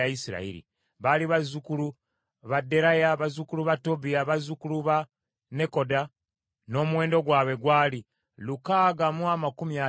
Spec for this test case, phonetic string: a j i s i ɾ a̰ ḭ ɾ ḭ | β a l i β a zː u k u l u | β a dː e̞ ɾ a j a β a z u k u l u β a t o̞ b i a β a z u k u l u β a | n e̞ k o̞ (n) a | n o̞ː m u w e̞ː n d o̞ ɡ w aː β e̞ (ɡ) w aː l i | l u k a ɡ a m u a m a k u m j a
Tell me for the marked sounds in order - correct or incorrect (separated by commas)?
incorrect, correct